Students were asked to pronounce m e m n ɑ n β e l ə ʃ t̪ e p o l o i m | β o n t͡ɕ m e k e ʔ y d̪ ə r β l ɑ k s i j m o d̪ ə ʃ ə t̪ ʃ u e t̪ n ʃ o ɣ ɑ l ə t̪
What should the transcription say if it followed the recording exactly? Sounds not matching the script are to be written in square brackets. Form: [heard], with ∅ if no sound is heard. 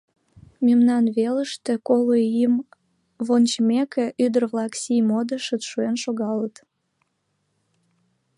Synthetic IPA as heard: m e m n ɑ n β e l ə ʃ t̪ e [k] o l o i m | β o n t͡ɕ m e k e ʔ y d̪ ə r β l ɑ k s i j m o d̪ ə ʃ ə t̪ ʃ u e [∅] n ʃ o ɣ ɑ l ə t̪